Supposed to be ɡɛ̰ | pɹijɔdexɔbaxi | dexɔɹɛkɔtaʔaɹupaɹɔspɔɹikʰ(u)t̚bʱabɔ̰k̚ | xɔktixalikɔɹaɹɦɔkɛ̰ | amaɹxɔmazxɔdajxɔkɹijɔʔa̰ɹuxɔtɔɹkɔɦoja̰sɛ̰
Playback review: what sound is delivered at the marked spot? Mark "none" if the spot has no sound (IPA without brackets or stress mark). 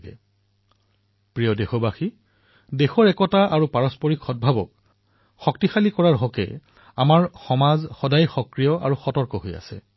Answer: ɔ